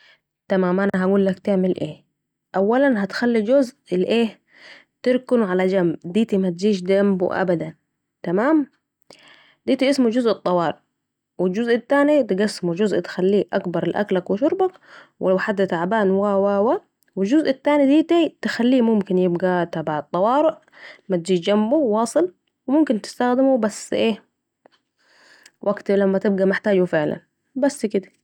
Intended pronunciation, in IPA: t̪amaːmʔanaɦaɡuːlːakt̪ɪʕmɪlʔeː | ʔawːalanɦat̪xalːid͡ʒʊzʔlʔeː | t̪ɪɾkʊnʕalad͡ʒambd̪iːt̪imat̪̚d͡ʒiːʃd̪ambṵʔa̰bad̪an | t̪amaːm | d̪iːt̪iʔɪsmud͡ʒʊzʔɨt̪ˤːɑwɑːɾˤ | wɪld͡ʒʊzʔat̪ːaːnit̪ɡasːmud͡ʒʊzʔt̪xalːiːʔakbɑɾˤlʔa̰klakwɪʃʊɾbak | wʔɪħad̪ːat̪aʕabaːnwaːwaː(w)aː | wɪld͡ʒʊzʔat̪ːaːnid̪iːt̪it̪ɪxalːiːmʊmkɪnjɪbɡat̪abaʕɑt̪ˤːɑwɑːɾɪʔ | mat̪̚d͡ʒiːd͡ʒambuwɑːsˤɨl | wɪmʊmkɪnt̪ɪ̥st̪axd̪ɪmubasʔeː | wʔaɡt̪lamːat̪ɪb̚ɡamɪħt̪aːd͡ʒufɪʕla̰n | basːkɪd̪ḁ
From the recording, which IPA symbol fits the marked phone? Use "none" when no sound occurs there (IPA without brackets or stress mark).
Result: w